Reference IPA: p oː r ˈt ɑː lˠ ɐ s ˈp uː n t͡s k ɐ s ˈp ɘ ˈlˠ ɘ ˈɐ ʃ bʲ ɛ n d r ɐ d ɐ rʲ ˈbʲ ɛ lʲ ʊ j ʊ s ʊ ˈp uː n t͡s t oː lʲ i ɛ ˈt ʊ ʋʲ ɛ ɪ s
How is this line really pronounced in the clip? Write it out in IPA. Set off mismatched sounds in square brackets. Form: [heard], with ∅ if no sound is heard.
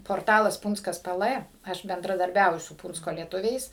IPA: p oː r ˈt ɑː lˠ ɐ s ˈp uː n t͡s k ɐ s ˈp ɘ ˈlˠ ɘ ˈɐ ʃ bʲ ɛ n d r ɐ d ɐ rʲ ˈbʲ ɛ [∅] ʊ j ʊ s ʊ ˈp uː n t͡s [k] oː lʲ i ɛ ˈt ʊ ʋʲ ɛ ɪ s

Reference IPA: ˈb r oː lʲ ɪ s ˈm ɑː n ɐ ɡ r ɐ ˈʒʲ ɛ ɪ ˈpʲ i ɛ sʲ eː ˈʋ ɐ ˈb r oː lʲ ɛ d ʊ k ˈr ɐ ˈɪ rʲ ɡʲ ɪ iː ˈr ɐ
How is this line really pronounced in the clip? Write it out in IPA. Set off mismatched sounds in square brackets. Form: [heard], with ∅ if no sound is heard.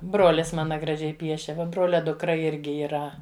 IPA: ˈb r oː lʲ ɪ s ˈm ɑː n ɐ ɡ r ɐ ˈʒʲ ɛ ɪ ˈpʲ i ɛ [ʃʲ] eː ˈʋ ɐ ˈb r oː lʲ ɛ d ʊ k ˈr ɐ ˈɪ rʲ ɡʲ ɪ iː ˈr ɐ

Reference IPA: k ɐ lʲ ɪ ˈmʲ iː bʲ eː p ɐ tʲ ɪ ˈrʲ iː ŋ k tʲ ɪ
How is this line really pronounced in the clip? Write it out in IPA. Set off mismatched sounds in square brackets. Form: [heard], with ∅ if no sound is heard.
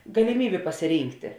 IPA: [ɡ] ɐ lʲ ɪ ˈmʲ iː bʲ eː p ɐ [sʲ] ɪ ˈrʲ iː ŋ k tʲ ɪ

